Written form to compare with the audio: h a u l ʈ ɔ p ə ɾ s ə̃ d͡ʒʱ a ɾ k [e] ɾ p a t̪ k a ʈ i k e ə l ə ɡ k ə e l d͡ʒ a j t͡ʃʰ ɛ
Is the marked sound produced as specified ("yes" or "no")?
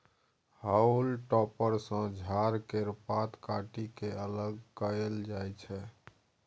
yes